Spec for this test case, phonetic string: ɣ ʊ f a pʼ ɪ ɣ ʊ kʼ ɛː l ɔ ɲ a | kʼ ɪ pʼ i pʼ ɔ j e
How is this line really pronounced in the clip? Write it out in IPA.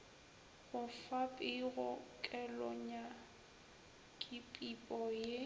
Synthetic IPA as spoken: ɣ ʊ f a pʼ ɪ ɣ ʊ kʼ ɛ l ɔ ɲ a | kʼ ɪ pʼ i pʼ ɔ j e